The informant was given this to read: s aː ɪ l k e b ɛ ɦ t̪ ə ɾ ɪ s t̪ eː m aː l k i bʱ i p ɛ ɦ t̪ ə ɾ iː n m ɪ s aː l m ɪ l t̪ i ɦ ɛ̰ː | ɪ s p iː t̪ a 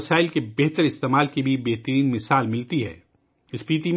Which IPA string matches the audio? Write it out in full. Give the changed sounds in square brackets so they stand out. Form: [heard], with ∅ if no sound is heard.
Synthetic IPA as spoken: s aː ɪ l k e b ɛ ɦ t̪ ə ɾ ɪ s t̪ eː m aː l k i bʱ i [b] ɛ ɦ t̪ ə ɾ iː n m ɪ s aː l m ɪ l t̪ i ɦ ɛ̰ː | ɪ s p iː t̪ [i]